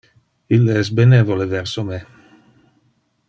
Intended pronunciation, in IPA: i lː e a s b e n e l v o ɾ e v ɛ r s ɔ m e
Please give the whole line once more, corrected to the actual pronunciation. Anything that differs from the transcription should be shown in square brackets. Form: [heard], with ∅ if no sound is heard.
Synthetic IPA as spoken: i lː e [ɛ] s b e n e [∅] v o [l] e v ɛ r s [o] m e